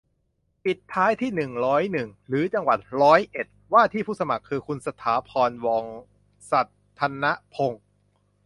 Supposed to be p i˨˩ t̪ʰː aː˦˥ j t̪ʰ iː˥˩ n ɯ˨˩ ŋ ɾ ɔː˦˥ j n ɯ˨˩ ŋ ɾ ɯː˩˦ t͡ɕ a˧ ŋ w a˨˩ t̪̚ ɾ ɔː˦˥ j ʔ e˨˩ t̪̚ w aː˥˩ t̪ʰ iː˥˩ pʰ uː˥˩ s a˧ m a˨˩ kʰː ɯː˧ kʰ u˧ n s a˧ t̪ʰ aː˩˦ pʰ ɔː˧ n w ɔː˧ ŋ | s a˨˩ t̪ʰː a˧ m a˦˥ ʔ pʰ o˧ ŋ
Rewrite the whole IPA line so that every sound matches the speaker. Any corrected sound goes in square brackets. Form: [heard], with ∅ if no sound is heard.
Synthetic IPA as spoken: p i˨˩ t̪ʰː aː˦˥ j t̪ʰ iː˥˩ n ɯ˨˩ ŋ ɾ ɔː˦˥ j n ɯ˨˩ ŋ ɾ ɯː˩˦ t͡ɕ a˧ ŋ w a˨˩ t̪̚ ɾ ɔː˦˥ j ʔ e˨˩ t̪̚ w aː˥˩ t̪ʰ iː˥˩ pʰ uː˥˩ s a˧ m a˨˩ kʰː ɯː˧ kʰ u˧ n s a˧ t̪ʰ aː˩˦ pʰ ɔː˧ n w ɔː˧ ŋ | s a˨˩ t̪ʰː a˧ [n] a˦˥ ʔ pʰ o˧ ŋ

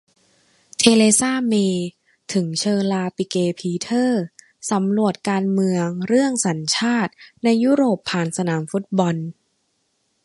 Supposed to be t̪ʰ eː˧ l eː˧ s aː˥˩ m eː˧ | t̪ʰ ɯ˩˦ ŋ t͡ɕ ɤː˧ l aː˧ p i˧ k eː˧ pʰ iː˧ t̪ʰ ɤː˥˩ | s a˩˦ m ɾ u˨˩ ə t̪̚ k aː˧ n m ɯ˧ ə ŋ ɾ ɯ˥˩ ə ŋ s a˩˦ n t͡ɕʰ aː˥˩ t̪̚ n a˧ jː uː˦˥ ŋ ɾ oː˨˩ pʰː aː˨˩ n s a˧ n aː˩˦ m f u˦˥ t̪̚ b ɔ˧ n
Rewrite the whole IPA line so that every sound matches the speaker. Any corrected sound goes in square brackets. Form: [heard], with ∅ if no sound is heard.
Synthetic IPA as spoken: t̪ʰ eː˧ l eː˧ s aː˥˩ m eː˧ | t̪ʰ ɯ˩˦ ŋ [t͡ɕʰ] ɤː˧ l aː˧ p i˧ k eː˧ pʰ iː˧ t̪ʰ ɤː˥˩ | s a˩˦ m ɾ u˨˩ ə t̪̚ k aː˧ n m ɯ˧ ə ŋ ɾ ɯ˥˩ ə ŋ s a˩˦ n t͡ɕʰ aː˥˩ t̪̚ n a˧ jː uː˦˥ [∅] ɾ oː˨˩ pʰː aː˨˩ n s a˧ n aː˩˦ m f u˦˥ t̪̚ b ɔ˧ n

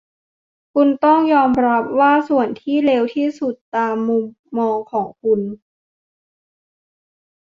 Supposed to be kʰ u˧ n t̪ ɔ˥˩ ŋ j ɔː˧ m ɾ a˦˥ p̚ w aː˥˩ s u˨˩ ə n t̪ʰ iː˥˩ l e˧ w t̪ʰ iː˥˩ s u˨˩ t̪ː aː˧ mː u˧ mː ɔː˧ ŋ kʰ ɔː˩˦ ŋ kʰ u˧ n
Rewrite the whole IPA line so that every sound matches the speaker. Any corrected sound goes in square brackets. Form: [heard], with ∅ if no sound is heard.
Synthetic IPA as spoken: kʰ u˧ n t̪ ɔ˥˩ ŋ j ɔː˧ m ɾ a˦˥ p̚ w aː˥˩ s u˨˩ ə n t̪ʰ iː˥˩ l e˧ w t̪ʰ iː˥˩ s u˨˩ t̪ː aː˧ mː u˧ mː ɔː˧ ŋ kʰ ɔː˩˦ ŋ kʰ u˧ n

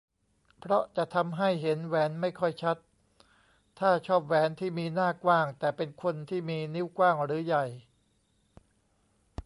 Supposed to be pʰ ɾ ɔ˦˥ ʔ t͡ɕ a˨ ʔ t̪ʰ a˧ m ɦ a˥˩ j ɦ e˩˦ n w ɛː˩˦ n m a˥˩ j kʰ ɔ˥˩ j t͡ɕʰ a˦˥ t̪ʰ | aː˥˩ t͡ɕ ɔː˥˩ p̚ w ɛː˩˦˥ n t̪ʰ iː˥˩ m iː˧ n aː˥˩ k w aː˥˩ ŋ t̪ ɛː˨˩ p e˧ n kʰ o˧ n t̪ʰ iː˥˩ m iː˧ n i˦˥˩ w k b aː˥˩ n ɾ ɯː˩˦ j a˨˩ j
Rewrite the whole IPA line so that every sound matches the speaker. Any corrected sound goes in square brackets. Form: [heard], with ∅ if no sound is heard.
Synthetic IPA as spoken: pʰ ɾ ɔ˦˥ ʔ t͡ɕ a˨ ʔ t̪ʰ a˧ m ɦ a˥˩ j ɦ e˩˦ n w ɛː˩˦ n m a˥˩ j kʰ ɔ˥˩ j t͡ɕʰ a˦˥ t̪ʰ | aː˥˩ [t͡ɕʰ] ɔː˥˩ p̚ w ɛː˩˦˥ n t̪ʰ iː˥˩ m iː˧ n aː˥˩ k w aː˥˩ ŋ t̪ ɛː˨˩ p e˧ n kʰ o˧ n t̪ʰ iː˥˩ m iː˧ n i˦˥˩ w k [w] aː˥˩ [ŋ] ɾ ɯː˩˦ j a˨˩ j

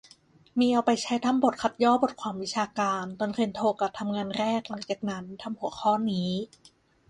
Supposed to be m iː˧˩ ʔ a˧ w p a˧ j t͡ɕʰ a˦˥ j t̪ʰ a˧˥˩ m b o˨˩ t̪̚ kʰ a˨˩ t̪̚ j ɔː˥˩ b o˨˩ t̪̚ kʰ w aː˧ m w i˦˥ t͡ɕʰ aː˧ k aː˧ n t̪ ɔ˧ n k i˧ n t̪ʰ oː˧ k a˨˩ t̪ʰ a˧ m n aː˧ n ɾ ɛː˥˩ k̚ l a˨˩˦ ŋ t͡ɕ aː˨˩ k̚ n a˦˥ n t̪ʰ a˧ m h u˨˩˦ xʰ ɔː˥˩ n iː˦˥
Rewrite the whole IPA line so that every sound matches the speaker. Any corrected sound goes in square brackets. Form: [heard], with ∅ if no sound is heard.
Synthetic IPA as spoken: m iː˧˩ ʔ a˧ w p a˧ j t͡ɕʰ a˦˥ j t̪ʰ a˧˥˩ m b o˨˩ t̪̚ kʰ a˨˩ t̪̚ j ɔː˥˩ b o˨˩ t̪̚ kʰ w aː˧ m w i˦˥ t͡ɕʰ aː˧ k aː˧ n t̪ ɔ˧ n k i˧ n t̪ʰ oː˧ k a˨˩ t̪ʰ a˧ m [ŋ] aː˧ n ɾ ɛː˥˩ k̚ l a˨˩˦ ŋ t͡ɕ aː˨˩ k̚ n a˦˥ n t̪ʰ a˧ m h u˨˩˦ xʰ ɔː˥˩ n iː˦˥

